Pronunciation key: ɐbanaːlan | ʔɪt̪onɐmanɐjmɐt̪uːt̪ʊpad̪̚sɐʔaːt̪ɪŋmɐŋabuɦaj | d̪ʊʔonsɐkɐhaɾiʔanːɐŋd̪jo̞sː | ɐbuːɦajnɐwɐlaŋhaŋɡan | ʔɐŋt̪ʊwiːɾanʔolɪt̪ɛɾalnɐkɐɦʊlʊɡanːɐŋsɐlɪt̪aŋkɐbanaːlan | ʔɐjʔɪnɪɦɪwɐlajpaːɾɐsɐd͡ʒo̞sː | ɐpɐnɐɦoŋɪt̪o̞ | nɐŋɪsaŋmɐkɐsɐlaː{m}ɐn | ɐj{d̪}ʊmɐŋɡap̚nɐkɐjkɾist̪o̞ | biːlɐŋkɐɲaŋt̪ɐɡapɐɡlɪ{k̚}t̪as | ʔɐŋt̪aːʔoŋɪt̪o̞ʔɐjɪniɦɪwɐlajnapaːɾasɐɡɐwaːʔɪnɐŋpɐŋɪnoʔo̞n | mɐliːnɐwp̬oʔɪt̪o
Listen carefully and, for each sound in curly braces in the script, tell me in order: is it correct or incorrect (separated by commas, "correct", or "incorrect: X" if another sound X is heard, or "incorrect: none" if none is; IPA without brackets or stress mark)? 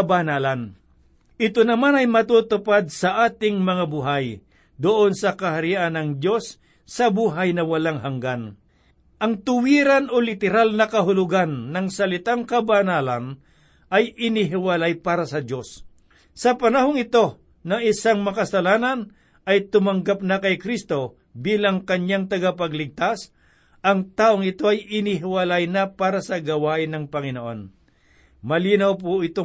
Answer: incorrect: n, incorrect: t̪, incorrect: ɡ̚